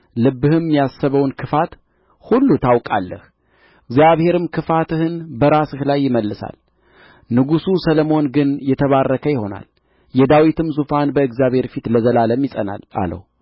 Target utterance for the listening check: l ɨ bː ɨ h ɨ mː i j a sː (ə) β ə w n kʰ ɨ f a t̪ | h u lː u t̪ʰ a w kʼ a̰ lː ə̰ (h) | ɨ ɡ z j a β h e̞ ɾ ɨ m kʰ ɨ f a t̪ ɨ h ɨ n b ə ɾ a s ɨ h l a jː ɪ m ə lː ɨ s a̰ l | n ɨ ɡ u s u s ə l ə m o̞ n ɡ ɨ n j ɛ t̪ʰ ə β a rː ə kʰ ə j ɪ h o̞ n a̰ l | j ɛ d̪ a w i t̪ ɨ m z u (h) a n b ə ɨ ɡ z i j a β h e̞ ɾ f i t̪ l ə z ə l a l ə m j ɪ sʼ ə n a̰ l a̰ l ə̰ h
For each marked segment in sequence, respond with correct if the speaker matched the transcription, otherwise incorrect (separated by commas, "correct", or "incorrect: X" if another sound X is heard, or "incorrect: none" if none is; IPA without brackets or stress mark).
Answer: correct, correct, incorrect: f